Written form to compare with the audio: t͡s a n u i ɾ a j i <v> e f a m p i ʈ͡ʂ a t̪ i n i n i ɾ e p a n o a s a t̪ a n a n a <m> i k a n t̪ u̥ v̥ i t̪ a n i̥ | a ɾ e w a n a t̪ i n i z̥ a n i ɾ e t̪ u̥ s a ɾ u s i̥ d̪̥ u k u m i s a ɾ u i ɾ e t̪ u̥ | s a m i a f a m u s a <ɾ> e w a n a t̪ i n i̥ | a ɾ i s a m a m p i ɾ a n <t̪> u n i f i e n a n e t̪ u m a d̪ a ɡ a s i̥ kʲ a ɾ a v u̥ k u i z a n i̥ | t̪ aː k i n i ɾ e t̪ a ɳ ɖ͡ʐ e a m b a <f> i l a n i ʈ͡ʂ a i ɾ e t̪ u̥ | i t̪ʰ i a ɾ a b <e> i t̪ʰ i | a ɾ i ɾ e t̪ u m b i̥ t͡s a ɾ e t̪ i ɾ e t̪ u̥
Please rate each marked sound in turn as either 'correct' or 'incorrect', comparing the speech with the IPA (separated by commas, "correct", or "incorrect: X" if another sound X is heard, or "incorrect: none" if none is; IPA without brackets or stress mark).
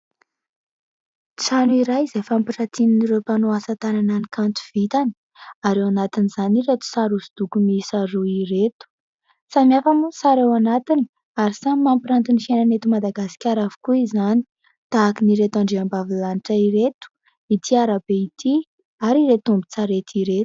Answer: incorrect: z, incorrect: n, correct, correct, incorrect: v, correct